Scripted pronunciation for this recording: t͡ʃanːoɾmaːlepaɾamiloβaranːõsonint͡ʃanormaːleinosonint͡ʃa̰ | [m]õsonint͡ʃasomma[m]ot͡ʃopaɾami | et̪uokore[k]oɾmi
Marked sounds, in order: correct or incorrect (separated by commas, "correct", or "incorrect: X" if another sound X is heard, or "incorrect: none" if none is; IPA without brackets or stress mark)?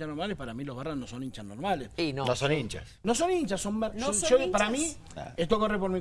incorrect: n, incorrect: none, incorrect: p